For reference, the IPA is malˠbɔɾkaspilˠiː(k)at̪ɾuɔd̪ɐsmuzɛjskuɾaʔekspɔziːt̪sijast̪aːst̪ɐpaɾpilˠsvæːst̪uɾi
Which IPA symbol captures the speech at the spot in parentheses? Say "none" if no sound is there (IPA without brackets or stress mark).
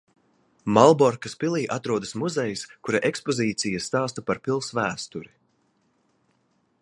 ʔ